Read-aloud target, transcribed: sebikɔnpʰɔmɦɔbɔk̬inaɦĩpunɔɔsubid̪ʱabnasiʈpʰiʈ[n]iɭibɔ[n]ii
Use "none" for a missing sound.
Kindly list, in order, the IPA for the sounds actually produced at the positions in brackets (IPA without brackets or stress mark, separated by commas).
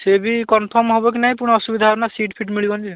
m, n